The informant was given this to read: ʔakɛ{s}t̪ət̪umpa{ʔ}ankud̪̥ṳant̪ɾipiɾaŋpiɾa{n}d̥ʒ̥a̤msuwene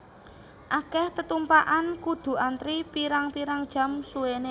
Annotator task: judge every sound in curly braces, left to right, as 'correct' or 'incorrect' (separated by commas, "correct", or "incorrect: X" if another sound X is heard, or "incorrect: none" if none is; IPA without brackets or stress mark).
incorrect: h, correct, incorrect: ŋ